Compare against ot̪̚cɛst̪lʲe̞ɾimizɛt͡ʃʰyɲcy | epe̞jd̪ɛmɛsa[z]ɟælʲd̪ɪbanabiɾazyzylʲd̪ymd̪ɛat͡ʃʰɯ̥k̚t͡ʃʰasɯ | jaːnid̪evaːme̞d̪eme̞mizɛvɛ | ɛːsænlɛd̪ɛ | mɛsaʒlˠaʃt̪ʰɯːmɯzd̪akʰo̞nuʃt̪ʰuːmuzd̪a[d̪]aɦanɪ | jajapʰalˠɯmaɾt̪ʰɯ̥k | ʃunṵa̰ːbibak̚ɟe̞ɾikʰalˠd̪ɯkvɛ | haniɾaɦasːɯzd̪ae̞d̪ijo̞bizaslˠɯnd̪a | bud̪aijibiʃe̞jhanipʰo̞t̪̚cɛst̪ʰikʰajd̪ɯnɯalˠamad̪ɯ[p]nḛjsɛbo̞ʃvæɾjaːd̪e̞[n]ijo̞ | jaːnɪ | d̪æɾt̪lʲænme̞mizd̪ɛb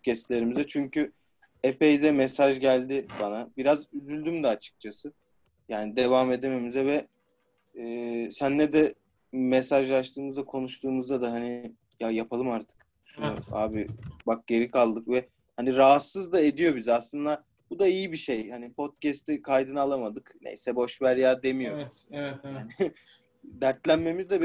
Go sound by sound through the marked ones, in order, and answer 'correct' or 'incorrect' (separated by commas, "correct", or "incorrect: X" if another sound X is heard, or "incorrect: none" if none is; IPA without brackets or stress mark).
incorrect: ʒ, correct, incorrect: k, incorrect: m